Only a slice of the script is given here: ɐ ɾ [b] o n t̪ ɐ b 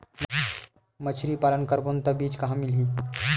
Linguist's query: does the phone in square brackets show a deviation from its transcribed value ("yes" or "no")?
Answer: no